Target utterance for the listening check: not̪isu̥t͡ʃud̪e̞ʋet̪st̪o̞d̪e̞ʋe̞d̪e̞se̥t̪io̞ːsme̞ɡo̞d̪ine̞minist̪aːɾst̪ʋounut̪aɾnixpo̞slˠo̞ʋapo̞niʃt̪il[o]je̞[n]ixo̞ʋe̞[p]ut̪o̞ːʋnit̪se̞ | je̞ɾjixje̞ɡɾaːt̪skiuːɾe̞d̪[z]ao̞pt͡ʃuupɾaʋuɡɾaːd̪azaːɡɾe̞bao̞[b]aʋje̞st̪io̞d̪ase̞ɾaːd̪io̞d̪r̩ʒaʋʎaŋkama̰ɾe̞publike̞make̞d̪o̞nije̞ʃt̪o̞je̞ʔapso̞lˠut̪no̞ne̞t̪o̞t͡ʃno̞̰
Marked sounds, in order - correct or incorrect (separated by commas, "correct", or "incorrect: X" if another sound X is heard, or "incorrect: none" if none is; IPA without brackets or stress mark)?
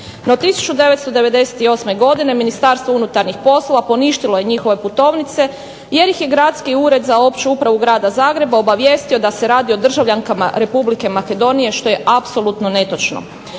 correct, incorrect: ɲ, correct, correct, correct